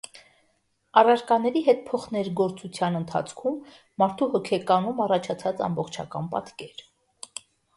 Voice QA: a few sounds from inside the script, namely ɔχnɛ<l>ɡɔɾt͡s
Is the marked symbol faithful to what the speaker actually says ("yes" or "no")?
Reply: no